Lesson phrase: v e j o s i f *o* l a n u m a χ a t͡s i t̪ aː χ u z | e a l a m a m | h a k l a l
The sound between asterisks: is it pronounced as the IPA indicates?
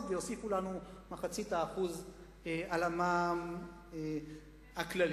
no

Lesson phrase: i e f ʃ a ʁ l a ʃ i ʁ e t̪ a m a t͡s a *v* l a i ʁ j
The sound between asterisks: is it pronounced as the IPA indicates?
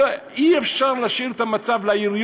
yes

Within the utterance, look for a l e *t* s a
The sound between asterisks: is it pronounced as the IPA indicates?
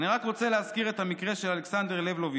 no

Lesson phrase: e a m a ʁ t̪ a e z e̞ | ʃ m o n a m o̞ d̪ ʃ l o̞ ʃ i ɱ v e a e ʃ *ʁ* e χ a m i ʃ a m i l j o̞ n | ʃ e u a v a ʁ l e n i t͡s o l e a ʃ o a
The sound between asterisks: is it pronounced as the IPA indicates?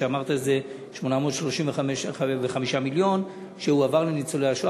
no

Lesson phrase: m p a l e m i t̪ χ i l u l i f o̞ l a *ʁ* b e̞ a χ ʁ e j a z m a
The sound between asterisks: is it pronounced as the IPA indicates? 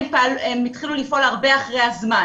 yes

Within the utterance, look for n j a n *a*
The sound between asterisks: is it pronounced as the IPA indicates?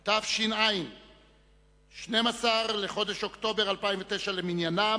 yes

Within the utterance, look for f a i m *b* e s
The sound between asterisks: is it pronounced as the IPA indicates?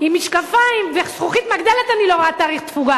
no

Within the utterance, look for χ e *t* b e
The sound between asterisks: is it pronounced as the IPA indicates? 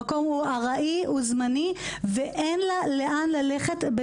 yes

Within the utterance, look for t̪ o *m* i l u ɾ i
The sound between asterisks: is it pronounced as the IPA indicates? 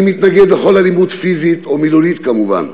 yes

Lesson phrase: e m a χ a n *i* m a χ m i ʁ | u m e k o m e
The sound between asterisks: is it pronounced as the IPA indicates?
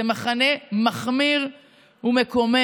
no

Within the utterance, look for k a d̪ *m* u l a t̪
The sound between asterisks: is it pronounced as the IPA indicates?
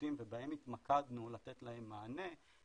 no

